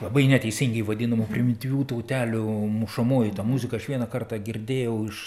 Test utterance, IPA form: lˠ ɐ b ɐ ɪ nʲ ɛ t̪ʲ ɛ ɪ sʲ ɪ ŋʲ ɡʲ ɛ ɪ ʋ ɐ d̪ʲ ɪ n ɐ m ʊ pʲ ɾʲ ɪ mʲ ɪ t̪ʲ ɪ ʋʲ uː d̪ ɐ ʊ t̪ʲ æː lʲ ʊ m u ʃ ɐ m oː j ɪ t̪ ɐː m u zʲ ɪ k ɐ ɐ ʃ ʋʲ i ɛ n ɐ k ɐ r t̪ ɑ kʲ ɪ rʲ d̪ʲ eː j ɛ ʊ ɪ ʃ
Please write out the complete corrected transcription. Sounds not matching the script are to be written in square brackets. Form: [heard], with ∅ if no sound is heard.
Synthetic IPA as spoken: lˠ ɐ b ɐ ɪ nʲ ɛ t̪ʲ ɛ ɪ sʲ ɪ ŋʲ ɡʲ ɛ ɪ ʋ ɐ d̪ʲ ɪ n ɐ m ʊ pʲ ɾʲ ɪ mʲ ɪ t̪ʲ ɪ ʋʲ uː [t̪] ɐ ʊ t̪ʲ æː lʲ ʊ m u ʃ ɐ m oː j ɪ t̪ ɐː m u zʲ ɪ k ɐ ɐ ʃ ʋʲ i ɛ n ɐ k ɐ r t̪ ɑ [ɡʲ] ɪ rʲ d̪ʲ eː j ɛ ʊ ɪ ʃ